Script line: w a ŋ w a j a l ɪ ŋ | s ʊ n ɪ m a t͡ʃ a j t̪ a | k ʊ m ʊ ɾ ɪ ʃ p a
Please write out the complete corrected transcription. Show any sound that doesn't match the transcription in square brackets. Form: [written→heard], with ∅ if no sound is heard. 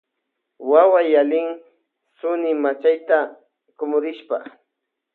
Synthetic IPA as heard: w a [ŋ→∅] w a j a l ɪ ŋ | s ʊ n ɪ m a t͡ʃ a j t̪ a | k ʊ m ʊ ɾ ɪ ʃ p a

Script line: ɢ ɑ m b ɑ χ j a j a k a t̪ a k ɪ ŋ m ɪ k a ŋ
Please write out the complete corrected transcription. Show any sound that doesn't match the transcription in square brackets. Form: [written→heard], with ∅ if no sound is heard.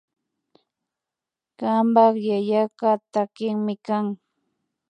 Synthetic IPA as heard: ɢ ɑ m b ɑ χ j a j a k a t̪ a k ɪ ŋ m ɪ k a ŋ

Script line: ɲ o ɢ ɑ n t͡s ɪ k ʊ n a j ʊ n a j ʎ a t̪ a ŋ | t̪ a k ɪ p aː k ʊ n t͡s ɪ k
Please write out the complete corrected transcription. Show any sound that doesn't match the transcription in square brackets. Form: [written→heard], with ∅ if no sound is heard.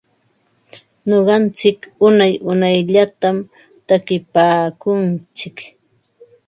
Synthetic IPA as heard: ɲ o ɢ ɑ n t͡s ɪ k ʊ n a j ʊ n a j ʎ a t̪ a [ŋ→m] | t̪ a k ɪ p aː k ʊ n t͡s ɪ k

